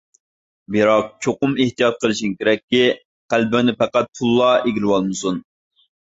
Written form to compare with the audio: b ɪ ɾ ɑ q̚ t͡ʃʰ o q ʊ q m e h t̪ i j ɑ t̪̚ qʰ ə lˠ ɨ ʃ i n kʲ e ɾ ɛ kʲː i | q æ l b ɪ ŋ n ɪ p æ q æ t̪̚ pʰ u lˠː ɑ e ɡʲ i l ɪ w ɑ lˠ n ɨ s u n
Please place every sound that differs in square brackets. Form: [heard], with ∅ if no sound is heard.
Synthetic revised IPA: b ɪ ɾ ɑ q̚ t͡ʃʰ o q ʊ [∅] m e h t̪ i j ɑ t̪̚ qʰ ə lˠ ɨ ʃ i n kʲ e ɾ ɛ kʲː i | q æ l b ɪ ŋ n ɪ p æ q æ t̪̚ pʰ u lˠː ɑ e ɡʲ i l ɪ w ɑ lˠ [m] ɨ s u n